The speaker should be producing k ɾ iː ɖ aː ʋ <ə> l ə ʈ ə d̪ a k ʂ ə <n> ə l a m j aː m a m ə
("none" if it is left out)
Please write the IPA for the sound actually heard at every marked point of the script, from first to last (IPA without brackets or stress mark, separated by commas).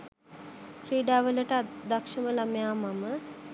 ə, m